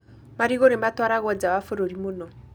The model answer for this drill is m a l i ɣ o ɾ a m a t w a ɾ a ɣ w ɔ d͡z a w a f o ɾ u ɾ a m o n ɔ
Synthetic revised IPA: m a ɾ i ɣ o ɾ e m a t w a ɾ a ɣ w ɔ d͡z a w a f o ɾ o ɾ i m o n ɔ